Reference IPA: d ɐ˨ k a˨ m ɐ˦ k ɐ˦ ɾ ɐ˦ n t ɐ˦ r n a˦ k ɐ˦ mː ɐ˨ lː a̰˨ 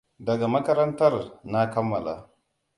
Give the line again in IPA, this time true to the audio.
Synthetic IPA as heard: d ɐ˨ ɡ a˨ m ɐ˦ k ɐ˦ ɾ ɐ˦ n t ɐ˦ r n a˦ k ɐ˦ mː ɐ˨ l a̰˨